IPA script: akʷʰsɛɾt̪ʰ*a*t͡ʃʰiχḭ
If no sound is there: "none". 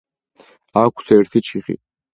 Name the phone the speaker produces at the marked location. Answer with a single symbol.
i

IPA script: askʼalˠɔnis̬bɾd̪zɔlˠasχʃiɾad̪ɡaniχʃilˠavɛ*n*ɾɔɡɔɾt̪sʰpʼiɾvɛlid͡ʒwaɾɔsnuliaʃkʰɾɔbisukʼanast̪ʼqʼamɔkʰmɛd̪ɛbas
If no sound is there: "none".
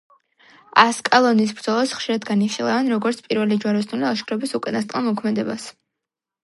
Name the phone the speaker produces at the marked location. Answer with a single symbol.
n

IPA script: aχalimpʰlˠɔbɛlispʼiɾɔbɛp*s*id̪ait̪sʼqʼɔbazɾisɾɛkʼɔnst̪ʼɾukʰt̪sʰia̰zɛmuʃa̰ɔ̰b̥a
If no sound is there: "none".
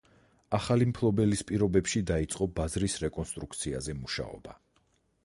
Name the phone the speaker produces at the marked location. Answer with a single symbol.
ʃ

